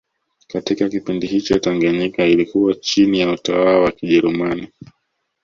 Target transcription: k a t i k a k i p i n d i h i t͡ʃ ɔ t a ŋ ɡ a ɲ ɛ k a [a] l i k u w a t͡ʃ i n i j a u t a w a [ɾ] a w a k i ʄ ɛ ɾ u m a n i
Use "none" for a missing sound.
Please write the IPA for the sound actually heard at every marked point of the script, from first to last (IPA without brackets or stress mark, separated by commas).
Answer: i, l